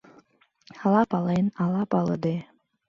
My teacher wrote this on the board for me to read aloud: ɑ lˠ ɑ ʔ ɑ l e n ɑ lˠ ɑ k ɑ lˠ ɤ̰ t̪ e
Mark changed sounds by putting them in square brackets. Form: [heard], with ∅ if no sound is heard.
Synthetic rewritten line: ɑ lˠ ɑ [p] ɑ l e n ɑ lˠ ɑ [p] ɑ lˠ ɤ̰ [d̪] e